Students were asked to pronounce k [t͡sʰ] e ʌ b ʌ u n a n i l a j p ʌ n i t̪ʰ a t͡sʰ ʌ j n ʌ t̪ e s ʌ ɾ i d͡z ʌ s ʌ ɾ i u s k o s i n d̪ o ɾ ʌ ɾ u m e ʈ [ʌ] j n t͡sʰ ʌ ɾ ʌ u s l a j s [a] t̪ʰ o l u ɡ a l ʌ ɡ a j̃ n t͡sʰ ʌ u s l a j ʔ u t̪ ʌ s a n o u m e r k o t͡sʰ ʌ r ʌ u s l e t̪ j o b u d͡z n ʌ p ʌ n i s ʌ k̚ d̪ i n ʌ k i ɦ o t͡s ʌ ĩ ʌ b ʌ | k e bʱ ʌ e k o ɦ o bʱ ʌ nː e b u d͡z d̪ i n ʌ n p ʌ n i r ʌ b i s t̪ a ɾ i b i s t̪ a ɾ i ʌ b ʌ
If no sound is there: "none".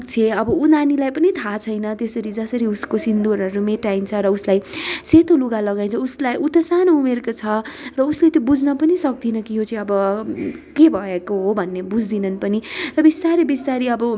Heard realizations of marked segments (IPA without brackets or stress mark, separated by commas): t͡sʰ, a, e